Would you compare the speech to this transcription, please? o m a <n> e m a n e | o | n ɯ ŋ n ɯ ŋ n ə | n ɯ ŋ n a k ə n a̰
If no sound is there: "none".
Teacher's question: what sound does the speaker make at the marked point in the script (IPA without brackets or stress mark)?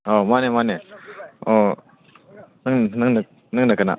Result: n